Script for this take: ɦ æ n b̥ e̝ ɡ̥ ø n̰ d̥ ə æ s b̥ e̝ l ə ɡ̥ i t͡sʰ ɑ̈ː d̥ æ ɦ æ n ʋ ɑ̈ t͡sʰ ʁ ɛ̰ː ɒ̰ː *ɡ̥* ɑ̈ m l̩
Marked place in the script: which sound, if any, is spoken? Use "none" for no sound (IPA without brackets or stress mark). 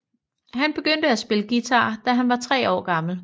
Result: ɡ̥